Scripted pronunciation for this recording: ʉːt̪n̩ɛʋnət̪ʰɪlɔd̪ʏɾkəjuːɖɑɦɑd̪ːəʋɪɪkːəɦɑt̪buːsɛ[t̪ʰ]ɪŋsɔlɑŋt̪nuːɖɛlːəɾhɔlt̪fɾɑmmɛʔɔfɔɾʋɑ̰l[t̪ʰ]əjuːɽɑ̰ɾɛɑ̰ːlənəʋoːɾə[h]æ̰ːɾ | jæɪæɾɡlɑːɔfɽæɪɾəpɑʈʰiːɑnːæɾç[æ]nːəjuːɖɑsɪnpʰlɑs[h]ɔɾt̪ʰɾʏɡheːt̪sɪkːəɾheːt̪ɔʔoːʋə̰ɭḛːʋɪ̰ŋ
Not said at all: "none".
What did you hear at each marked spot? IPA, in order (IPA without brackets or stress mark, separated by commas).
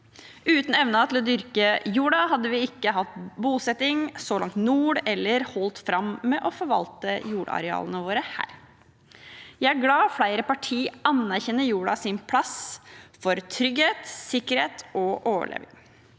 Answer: t̪, t̪, h, ɛ, f